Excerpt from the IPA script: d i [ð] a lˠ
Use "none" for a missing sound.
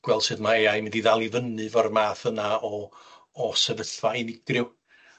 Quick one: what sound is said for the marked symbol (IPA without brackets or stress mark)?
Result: ð